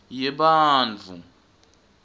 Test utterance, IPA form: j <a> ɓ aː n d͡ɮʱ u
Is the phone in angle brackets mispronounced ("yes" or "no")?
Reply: yes